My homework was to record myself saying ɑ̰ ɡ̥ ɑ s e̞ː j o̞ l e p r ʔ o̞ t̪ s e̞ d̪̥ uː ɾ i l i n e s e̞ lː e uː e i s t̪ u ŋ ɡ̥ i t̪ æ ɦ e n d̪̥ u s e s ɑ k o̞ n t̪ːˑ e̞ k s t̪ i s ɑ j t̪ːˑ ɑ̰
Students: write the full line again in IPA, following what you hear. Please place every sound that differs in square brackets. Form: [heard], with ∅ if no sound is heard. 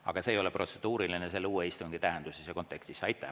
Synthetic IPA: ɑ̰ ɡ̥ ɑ s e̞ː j o̞ l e p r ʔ o̞ t̪ s e̞ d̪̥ uː ɾ i l i n e s e̞ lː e uː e i s t̪ u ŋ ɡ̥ i t̪ æ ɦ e n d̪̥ u s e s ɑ k o̞ n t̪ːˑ e̞ k s t̪ i s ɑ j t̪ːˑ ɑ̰